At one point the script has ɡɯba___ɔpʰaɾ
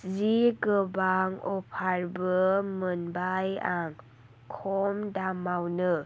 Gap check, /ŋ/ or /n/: ŋ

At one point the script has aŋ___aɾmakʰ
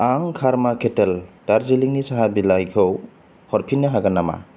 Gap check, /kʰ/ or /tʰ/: kʰ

